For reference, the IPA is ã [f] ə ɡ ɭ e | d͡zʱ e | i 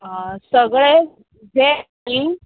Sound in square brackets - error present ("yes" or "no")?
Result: yes